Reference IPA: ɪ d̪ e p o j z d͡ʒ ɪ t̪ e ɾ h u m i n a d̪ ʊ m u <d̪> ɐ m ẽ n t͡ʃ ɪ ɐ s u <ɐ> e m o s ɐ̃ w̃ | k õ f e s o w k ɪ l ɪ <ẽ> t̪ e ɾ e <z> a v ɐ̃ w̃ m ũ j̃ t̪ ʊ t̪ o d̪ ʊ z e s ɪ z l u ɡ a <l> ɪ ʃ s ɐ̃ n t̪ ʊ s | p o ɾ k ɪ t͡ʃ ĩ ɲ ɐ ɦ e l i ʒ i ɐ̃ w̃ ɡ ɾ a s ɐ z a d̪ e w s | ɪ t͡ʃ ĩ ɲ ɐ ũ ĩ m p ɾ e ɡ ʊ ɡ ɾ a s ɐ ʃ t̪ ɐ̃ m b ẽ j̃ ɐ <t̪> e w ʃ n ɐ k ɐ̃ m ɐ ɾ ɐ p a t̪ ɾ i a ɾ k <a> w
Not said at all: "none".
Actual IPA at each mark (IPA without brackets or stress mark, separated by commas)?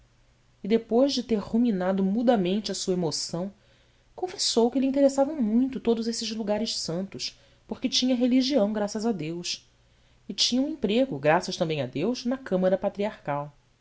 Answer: d̪, ɐ, ĩ, s, ɾ, d̪, a